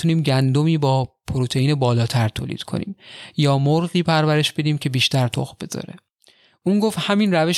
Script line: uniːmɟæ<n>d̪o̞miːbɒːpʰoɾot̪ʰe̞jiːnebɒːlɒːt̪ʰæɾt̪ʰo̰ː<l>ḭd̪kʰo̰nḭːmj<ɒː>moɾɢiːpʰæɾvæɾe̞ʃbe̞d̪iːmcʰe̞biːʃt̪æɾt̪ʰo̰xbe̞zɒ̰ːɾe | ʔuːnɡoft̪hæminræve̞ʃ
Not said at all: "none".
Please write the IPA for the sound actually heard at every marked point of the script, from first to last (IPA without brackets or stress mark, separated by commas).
n, l, ɒː